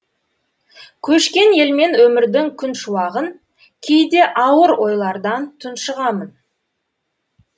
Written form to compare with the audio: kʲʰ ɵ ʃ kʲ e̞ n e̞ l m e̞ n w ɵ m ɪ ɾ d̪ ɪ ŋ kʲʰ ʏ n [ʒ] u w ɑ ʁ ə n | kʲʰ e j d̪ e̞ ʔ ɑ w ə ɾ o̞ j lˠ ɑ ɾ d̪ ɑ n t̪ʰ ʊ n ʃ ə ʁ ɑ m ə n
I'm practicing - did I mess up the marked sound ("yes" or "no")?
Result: yes